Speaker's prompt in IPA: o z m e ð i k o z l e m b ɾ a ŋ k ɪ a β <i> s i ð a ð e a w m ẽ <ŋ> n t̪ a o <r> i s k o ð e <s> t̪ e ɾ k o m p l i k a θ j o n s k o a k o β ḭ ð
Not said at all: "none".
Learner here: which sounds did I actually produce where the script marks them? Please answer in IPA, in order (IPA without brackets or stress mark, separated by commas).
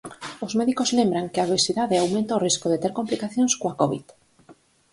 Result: e, none, r, none